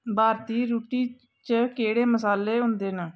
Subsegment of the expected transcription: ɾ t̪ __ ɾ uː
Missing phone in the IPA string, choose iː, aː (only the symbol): iː